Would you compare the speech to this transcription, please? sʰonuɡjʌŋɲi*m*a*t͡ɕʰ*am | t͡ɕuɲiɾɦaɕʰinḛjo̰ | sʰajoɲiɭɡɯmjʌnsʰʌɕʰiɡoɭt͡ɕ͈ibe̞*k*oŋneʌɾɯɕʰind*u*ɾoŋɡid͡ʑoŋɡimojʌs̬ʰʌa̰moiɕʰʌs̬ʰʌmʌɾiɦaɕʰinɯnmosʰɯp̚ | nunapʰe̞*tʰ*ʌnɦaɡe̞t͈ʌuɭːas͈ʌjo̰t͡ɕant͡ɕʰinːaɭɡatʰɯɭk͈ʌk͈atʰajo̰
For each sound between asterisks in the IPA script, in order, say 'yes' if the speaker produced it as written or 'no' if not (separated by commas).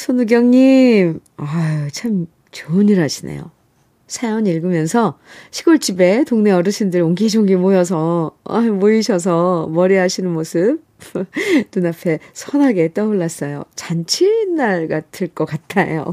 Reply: yes, yes, no, no, no